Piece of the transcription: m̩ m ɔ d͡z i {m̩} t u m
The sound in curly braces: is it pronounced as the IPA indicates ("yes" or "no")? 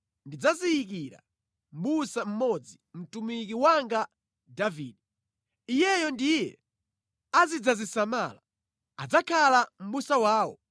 yes